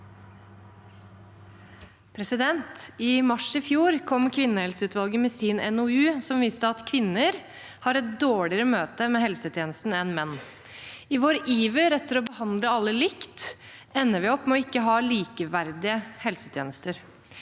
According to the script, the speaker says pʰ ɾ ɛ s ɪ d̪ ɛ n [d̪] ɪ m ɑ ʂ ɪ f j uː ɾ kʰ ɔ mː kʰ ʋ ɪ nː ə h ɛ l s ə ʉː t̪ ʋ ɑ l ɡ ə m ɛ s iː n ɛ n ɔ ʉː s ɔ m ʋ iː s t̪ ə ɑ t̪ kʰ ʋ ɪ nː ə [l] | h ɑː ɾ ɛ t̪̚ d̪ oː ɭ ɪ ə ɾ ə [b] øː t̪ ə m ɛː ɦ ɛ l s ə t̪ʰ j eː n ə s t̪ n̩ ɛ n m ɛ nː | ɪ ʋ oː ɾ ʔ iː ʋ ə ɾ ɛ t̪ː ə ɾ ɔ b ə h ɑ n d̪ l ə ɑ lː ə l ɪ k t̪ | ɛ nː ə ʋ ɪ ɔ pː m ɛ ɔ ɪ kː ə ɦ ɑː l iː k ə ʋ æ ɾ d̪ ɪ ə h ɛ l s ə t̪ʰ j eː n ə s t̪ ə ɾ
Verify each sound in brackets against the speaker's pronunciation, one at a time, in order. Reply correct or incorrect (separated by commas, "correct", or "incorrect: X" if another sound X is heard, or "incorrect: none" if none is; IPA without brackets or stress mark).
incorrect: t̪, incorrect: ɾ, incorrect: m